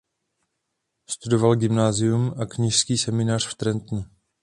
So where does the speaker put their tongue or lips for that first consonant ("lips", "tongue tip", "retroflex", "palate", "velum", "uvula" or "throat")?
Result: tongue tip